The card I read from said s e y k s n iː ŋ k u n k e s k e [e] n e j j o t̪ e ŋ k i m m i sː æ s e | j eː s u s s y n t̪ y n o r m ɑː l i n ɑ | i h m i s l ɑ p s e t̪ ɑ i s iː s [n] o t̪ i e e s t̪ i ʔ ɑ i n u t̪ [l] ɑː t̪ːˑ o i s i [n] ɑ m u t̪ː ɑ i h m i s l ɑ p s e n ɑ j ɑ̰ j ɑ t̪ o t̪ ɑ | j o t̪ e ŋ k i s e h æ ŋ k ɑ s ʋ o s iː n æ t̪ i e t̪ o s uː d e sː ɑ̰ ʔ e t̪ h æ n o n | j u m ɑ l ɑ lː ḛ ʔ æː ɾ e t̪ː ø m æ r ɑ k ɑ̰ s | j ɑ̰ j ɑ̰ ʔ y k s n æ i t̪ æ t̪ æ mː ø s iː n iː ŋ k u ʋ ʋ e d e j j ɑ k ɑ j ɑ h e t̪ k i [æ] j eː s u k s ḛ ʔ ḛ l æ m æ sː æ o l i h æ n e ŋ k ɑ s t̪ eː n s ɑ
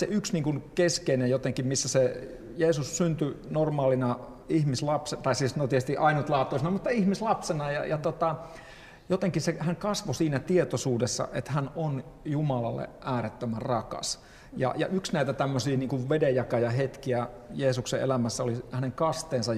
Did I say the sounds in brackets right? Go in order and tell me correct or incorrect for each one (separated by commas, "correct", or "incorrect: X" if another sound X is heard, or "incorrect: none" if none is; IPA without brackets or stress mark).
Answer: incorrect: i, correct, correct, correct, correct